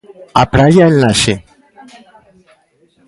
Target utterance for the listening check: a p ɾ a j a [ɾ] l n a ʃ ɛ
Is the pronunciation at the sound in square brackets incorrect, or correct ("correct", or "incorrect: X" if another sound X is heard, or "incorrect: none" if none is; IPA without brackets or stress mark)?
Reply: incorrect: none